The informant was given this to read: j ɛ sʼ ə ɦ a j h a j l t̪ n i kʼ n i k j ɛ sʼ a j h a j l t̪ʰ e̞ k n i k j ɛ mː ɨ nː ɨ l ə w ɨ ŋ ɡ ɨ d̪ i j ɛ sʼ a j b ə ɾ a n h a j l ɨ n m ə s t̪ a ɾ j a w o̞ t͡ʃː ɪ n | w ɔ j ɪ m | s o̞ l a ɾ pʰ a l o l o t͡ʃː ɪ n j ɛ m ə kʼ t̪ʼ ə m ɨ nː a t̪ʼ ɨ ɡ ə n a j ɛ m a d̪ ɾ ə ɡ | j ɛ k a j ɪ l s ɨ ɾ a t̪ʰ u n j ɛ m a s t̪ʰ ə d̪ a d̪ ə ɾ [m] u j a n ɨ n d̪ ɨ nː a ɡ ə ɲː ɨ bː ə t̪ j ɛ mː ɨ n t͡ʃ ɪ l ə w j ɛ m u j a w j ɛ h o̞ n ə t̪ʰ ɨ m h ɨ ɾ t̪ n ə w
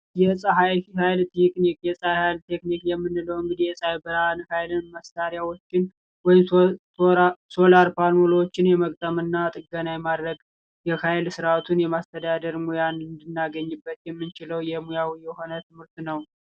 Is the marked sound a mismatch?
no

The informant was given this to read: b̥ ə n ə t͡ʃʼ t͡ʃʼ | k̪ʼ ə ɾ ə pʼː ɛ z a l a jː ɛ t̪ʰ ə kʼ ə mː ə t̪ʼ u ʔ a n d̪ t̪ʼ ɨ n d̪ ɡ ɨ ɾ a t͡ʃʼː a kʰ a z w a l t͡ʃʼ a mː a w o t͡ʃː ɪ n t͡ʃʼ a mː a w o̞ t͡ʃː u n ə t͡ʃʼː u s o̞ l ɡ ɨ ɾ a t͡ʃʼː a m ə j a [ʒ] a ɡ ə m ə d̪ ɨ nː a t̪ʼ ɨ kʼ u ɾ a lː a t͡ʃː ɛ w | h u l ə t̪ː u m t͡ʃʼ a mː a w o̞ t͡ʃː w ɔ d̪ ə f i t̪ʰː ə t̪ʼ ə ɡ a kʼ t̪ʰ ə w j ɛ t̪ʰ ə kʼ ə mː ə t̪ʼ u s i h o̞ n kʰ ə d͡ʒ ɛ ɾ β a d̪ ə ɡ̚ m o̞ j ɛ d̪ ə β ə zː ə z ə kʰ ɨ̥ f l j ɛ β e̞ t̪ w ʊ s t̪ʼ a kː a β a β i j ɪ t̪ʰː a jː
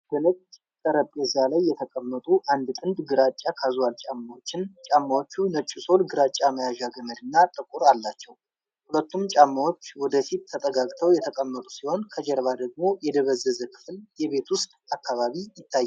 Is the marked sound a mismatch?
no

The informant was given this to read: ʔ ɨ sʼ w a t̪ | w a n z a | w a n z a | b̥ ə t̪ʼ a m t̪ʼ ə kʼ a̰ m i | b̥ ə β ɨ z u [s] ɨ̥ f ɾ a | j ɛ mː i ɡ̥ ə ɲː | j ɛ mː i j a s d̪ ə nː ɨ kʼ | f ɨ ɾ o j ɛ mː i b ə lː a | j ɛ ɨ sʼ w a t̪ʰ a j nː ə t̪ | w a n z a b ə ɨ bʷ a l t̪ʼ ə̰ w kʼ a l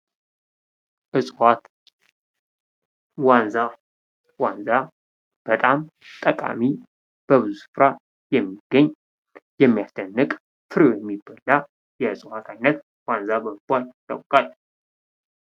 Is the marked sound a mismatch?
no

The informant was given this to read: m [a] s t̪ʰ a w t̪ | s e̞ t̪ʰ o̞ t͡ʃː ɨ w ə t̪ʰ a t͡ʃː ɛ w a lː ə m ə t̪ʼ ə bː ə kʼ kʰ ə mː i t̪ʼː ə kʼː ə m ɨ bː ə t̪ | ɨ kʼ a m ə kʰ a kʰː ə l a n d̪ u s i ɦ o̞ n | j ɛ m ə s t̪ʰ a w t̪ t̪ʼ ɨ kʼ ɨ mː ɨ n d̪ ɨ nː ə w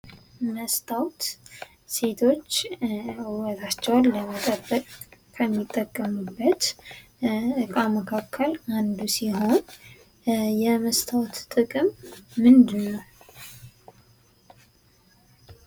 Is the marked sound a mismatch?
yes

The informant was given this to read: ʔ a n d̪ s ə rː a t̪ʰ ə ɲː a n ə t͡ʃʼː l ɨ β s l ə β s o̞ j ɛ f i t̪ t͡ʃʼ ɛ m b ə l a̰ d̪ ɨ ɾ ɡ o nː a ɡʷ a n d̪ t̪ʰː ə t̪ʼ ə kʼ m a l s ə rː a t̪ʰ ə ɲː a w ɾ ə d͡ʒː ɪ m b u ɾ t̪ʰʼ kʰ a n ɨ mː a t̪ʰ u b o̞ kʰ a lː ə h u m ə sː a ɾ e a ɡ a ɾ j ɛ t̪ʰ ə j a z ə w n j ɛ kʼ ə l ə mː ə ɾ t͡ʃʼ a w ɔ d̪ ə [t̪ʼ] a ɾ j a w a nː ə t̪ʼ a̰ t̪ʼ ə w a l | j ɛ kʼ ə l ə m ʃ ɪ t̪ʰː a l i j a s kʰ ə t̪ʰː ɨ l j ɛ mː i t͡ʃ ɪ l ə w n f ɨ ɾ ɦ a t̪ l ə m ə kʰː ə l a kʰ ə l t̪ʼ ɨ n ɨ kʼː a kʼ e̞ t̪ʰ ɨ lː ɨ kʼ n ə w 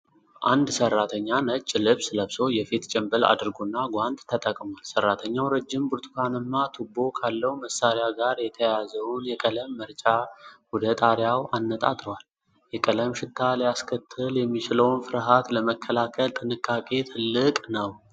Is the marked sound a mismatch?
no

